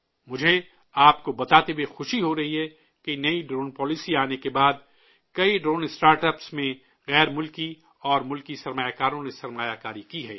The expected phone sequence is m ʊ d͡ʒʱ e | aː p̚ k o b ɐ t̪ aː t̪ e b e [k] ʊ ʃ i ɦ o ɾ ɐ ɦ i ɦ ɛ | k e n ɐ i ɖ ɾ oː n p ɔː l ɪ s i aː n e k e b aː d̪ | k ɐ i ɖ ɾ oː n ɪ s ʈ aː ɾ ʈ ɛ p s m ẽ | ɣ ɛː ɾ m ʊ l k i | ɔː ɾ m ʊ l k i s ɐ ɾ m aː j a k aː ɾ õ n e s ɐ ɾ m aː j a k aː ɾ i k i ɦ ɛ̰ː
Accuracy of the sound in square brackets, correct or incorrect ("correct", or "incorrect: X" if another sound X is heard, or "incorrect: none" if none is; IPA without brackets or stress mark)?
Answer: incorrect: x